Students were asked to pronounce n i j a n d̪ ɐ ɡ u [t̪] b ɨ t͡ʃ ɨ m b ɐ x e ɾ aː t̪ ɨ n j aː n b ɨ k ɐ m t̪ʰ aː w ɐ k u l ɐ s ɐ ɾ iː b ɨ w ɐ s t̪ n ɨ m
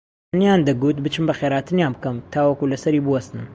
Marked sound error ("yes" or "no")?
no